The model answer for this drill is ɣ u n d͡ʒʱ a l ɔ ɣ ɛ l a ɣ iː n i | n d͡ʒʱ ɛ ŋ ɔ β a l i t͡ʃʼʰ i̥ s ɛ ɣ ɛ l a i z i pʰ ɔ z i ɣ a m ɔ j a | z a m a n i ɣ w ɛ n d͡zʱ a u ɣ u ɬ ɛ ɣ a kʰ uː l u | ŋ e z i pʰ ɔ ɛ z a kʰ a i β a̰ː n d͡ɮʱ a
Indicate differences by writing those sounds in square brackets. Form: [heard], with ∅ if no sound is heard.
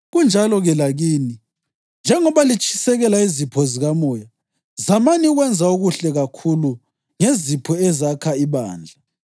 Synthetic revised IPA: ɣ u n d͡ʒʱ a l ɔ ɣ ɛ l a ɣ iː n i | n d͡ʒʱ ɛ ŋ ɔ β a l i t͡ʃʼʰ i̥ s ɛ ɣ ɛ l a i z i pʰ ɔ z i ɣ a m ɔ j a | z a m a n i ɣ w ɛ n d͡zʱ a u ɣ u ɬ ɛ ɣ a kʰ [u] l u | ŋ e z i pʰ ɔ ɛ z a kʰ a i β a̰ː n d͡ɮʱ a